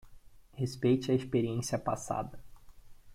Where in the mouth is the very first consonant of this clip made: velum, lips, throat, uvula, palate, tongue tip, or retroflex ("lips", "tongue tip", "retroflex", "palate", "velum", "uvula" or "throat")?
throat